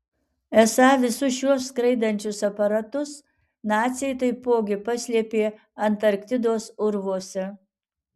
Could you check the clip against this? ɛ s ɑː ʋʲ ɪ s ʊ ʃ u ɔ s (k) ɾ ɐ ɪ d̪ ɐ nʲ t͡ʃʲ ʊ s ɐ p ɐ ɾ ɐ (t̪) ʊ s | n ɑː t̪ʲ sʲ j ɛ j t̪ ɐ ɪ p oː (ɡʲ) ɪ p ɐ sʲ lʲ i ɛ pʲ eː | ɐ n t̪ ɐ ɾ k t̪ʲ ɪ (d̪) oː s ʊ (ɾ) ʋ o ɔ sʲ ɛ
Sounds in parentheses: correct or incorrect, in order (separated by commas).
correct, correct, correct, correct, correct